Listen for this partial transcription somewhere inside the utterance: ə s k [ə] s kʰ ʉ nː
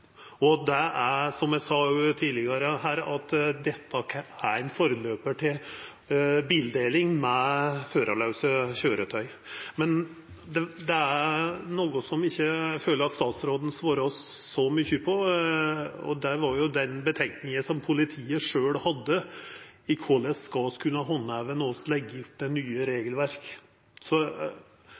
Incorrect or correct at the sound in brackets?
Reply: incorrect: ɑ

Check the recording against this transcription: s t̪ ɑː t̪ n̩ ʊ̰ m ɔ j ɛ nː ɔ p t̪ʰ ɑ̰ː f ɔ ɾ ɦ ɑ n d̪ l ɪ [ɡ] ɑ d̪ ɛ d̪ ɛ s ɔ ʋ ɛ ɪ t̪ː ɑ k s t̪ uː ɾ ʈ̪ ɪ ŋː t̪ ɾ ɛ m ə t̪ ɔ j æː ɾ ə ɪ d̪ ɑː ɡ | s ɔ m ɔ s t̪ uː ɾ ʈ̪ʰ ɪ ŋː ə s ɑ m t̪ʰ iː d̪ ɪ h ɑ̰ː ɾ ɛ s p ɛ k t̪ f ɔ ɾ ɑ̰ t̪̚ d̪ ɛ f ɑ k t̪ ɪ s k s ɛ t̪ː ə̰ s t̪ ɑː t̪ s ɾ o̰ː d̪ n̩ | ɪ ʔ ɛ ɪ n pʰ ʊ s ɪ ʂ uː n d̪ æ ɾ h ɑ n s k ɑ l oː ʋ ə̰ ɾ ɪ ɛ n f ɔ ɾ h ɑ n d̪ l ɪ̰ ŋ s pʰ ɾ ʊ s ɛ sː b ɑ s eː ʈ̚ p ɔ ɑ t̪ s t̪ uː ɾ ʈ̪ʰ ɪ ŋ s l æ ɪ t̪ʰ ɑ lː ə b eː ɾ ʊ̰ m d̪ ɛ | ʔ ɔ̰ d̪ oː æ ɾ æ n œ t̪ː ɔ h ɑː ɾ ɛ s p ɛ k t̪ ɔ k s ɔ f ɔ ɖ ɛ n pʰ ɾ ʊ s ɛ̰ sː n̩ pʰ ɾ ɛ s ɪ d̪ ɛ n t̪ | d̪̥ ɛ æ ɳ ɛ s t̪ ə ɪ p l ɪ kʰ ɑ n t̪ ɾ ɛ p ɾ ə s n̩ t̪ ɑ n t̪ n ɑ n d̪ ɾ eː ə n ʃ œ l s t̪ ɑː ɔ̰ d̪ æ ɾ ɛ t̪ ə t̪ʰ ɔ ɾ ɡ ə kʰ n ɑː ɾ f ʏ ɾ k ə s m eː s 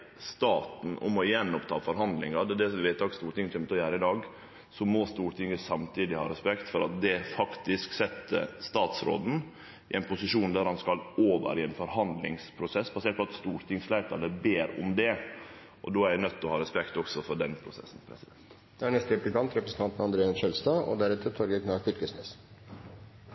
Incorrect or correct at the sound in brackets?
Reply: incorrect: ŋ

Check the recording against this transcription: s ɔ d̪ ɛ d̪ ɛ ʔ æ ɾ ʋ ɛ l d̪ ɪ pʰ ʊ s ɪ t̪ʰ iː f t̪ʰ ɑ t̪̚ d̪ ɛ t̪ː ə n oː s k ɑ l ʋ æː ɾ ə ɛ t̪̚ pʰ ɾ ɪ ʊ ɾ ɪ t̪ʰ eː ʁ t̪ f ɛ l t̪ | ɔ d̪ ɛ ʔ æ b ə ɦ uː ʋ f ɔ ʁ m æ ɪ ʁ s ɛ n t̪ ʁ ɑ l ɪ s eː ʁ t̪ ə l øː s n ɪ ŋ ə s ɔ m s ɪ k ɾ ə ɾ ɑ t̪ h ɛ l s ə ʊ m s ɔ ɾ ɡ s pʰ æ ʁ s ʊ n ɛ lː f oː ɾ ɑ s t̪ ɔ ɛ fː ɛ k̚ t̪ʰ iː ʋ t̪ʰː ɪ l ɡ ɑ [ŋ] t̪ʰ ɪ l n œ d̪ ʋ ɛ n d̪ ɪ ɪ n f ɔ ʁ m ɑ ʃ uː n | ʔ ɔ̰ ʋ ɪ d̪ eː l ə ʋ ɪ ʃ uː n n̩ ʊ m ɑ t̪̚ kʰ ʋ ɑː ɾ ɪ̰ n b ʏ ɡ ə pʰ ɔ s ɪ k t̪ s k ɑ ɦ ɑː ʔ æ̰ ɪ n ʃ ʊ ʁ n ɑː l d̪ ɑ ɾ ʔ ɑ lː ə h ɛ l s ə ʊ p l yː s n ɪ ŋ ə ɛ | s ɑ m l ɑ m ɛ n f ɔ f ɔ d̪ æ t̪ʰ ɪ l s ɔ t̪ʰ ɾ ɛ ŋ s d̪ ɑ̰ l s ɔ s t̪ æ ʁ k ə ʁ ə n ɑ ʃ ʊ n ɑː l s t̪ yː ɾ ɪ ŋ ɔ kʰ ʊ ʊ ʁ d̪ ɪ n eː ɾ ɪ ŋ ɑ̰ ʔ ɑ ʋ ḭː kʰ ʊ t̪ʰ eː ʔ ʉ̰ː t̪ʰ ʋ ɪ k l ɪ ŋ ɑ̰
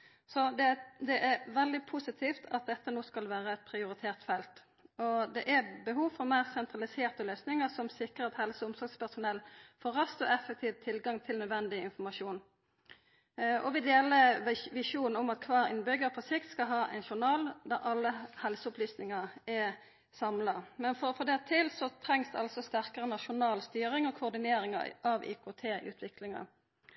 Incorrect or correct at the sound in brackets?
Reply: correct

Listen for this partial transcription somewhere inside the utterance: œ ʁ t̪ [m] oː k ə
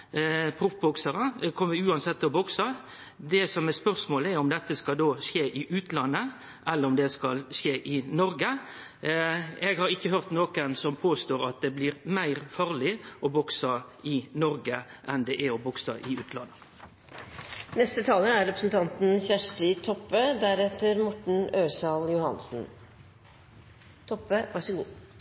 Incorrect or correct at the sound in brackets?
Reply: incorrect: n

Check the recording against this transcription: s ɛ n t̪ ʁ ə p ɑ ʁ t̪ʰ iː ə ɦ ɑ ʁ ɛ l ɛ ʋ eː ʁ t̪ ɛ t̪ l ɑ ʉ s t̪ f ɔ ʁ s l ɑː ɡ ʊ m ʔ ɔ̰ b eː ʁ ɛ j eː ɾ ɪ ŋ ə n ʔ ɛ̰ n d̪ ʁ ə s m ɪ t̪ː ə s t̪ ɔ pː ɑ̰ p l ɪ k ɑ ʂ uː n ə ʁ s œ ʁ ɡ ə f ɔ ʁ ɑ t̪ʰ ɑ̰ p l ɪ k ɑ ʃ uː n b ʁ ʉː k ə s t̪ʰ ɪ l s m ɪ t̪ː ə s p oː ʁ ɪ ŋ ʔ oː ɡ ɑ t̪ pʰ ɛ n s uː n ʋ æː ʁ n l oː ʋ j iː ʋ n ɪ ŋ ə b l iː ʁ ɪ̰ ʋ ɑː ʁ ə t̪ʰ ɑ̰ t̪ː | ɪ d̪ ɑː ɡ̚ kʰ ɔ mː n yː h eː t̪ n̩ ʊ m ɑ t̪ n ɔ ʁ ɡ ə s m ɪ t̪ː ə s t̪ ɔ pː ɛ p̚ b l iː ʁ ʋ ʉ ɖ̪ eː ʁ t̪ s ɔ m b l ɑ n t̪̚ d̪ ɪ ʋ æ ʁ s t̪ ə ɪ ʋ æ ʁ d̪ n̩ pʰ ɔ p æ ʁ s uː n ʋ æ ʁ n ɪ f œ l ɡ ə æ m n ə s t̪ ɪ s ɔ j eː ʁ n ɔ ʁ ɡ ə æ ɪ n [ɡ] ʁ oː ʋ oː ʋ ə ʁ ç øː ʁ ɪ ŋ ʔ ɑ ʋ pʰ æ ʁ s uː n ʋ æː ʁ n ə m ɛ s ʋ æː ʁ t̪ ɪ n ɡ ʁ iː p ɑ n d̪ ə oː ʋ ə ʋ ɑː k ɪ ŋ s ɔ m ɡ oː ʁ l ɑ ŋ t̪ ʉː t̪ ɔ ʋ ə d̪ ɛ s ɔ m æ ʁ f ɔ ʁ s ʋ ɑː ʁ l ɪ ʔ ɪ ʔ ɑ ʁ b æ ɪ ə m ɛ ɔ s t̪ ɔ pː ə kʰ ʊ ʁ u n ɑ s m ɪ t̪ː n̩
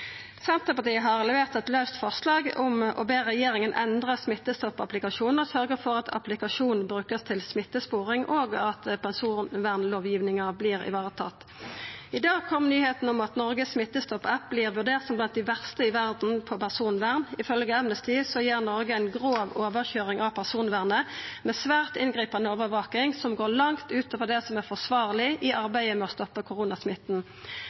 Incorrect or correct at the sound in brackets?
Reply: correct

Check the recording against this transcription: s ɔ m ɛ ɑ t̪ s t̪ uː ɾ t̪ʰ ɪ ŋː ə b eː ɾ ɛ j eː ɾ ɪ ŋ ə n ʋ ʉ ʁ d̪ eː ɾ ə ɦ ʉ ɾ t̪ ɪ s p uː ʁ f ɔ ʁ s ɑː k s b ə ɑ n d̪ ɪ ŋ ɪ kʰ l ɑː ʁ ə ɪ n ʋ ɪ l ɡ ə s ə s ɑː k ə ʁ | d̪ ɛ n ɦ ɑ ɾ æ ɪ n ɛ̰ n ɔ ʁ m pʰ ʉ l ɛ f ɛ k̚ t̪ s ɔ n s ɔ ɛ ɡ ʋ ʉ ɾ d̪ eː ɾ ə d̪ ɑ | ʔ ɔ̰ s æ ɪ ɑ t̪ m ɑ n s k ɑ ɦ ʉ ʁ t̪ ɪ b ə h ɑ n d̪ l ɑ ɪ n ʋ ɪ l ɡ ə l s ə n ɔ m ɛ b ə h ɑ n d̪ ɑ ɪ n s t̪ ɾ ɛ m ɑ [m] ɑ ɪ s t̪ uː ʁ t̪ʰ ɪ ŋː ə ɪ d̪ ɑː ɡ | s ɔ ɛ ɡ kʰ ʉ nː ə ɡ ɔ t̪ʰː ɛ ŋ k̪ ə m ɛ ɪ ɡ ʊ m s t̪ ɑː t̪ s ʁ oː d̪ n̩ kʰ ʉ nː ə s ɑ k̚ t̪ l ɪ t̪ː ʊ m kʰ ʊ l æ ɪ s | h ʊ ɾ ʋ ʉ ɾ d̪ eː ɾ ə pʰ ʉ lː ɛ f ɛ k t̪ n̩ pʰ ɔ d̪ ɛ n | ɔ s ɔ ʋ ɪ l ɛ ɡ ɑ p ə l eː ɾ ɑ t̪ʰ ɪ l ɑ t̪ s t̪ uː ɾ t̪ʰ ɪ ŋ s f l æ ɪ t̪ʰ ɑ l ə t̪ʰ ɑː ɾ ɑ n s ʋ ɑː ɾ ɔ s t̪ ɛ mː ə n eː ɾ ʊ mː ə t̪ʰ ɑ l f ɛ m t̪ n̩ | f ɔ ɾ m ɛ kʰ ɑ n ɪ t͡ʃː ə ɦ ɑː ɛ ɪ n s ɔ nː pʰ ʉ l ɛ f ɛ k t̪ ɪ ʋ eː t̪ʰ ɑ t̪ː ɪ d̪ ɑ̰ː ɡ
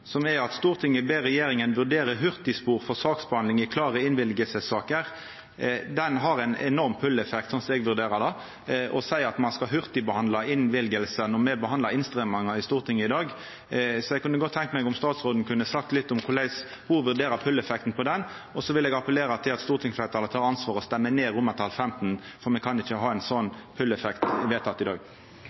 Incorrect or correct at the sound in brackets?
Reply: incorrect: ŋ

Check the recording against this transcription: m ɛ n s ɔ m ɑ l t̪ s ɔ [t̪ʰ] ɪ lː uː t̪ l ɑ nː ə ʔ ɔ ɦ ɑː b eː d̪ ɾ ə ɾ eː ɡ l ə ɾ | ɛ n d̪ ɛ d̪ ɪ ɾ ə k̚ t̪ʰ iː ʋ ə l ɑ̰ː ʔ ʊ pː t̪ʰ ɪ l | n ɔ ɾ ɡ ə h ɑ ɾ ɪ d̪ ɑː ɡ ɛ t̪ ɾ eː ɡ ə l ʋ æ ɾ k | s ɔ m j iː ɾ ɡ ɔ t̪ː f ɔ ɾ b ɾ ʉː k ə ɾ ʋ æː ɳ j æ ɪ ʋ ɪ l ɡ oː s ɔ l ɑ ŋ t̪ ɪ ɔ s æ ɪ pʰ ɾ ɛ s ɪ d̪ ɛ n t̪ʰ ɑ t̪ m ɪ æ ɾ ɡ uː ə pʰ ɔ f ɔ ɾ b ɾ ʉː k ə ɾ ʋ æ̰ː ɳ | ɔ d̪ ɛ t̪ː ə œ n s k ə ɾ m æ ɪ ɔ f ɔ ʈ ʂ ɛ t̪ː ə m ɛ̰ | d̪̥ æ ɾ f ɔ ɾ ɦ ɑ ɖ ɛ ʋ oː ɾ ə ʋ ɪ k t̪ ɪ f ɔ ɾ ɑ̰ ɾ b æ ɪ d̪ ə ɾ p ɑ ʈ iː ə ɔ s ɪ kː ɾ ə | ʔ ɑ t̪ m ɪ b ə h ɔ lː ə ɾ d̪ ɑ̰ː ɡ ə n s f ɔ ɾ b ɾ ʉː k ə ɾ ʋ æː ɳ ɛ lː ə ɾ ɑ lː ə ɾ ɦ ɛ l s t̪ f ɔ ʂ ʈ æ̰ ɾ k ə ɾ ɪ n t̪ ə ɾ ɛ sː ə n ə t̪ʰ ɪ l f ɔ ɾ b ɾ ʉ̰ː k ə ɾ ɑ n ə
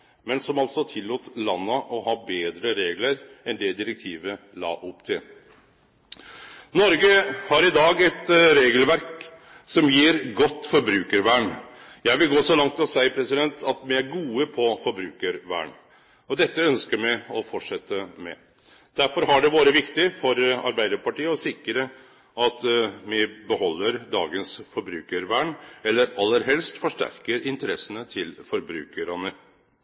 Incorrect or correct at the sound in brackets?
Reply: correct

